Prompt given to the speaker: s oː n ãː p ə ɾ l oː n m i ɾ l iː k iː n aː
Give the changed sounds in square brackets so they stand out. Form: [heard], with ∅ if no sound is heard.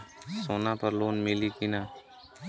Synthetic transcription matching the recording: s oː n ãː p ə ɾ l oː n m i [∅] l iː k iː n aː